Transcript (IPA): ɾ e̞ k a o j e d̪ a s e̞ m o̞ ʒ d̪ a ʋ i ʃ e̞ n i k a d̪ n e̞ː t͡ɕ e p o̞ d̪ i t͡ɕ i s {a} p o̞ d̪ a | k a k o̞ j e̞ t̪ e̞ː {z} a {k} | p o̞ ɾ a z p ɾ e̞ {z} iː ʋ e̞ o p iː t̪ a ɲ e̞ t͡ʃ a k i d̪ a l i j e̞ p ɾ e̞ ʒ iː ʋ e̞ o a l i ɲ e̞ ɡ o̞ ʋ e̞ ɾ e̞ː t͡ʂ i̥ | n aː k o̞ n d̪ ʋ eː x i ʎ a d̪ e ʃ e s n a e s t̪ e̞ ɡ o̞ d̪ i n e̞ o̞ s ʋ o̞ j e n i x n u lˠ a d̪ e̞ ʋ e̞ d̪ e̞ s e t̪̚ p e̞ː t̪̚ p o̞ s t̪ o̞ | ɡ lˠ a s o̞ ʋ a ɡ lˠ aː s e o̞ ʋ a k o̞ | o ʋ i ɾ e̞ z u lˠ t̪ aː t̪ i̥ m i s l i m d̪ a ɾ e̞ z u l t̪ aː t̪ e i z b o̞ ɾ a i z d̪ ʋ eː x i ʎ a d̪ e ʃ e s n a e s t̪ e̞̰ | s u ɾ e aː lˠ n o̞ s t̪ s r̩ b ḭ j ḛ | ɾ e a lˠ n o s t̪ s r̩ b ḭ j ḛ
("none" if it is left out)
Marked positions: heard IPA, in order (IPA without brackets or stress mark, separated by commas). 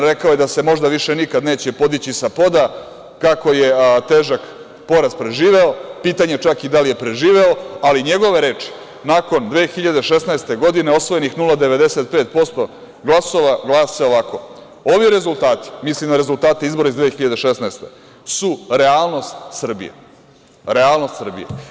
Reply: a, ʒ, k, ʒ